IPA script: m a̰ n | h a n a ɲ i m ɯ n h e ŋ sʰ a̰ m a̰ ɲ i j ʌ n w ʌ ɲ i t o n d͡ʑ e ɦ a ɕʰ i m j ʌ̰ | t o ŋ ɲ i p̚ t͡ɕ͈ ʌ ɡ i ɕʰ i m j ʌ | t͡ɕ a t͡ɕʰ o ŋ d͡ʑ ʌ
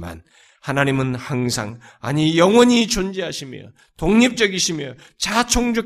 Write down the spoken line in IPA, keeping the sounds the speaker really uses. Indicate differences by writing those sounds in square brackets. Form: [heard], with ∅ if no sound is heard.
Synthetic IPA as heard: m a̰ n | h a n a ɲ i m ɯ n h [a] ŋ sʰ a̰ [ŋ] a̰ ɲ i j ʌ [ŋ] w ʌ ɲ i [t͡ɕ] o n d͡ʑ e ɦ a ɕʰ i m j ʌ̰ | t o ŋ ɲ i p̚ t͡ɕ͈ ʌ ɡ i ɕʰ i m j ʌ | t͡ɕ a t͡ɕʰ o ŋ d͡ʑ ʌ